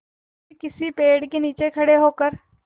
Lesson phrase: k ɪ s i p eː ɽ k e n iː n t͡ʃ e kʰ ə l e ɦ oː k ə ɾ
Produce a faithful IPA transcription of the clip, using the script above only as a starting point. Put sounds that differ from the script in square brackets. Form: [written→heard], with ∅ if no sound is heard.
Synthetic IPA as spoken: k ɪ s i p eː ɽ k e n iː [n→∅] t͡ʃ e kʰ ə [l→ɽ] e ɦ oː k ə ɾ